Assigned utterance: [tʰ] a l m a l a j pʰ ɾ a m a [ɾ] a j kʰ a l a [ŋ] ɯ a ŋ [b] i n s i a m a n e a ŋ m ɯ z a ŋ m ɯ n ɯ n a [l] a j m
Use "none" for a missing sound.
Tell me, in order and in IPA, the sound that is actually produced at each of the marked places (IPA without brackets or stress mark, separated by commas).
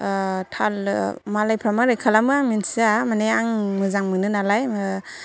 tʰ, ɾ, m, m, l